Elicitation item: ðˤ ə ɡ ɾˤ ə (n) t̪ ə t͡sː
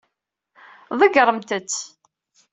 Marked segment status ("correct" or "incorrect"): incorrect